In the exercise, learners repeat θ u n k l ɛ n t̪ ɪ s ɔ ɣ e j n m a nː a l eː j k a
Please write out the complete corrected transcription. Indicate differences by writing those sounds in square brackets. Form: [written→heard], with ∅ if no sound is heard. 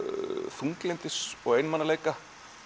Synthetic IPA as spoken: θ u [n→ŋ] k l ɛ n t̪ ɪ s ɔ ɣ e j n m a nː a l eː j k a